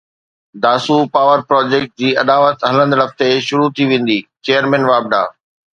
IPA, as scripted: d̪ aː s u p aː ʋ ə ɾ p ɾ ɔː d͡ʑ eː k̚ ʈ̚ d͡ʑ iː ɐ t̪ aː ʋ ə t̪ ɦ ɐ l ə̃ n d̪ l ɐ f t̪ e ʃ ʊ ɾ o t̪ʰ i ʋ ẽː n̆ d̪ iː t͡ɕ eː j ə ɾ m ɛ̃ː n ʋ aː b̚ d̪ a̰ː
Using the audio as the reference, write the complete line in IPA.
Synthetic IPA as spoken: d̪ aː s u p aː ʋ ə ɾ p ɾ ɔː d͡ʑ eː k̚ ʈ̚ d͡ʑ iː ɐ d̪ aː ʋ ə t̪ ɦ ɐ l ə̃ n d̪ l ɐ f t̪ e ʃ ʊ ɾ u t̪ʰ i ʋ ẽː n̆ d̪ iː t͡ɕ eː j ə ɾ m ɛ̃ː n ʋ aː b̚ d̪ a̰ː